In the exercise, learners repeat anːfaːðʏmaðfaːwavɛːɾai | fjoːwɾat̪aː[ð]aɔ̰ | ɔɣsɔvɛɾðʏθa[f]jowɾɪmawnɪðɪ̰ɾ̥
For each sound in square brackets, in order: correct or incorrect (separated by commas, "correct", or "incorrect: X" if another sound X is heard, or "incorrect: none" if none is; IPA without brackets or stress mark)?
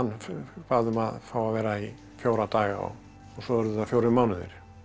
incorrect: ɣ, correct